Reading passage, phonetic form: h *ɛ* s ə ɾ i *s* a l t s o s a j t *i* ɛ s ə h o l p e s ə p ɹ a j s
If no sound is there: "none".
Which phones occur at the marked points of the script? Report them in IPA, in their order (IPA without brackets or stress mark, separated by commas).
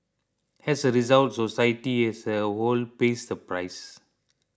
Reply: ɛ, z, i